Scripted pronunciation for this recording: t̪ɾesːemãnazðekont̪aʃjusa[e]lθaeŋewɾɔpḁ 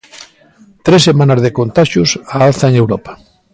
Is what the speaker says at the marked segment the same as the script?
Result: no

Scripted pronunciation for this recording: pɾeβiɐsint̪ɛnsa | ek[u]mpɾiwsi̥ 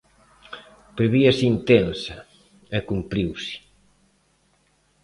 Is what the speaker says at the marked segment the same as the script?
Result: yes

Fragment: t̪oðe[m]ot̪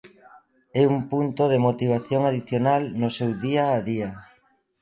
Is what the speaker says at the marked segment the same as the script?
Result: yes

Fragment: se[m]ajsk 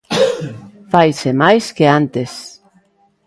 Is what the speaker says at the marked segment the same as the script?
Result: yes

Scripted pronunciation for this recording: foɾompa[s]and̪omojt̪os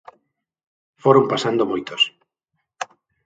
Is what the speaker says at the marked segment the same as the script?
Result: yes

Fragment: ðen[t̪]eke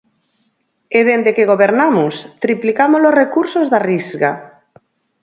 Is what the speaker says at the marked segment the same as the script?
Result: no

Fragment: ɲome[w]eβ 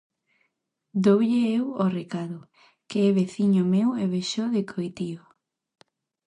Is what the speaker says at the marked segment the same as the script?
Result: yes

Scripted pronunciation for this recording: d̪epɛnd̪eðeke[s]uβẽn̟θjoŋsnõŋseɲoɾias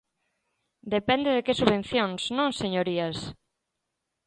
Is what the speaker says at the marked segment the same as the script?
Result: yes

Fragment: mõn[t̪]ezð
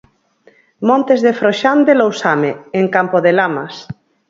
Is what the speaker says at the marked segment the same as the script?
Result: yes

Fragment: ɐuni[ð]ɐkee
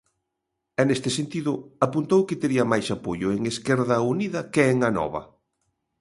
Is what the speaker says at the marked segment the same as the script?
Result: yes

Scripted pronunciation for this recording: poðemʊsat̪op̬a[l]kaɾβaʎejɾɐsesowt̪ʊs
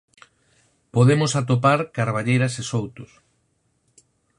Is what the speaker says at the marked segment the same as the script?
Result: no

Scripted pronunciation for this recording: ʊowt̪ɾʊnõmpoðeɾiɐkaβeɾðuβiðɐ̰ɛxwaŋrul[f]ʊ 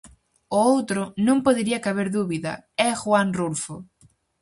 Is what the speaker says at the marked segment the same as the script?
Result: yes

